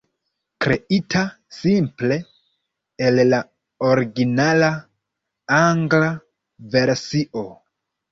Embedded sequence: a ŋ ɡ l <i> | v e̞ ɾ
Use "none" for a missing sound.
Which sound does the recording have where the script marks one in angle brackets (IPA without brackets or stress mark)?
a